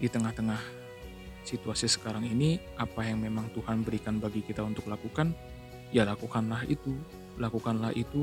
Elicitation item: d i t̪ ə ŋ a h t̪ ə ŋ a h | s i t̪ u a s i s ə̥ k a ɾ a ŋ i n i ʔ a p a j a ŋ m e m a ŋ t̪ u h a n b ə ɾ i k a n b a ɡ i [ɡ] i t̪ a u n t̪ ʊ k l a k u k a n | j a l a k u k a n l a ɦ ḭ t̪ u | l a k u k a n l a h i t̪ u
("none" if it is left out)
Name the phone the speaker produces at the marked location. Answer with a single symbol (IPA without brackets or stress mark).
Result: k